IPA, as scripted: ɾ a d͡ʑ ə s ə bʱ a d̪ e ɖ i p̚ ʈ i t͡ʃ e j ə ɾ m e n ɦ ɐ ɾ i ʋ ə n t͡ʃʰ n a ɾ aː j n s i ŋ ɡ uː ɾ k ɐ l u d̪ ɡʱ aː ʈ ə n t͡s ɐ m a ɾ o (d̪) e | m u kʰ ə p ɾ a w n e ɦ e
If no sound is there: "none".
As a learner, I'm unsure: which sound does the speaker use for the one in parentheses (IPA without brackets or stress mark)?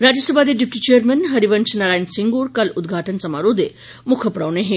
d̪